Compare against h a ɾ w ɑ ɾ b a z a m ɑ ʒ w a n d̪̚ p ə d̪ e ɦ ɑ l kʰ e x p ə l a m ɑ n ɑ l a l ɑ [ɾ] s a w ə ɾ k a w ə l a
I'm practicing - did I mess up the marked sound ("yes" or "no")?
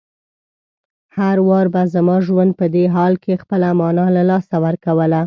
yes